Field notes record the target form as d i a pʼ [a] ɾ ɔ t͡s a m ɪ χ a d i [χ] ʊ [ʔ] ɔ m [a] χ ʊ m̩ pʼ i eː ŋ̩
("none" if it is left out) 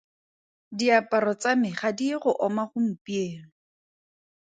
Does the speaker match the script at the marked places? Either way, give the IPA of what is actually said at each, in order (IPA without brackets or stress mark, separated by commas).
a, χ, ʔ, a